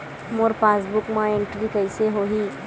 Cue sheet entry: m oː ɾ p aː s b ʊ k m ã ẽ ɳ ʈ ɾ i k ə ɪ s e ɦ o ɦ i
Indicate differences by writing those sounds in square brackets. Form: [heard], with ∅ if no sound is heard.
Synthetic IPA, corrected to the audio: m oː ɾ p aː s b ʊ k m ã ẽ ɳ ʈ ɾ i k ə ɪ s e ɦ o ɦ i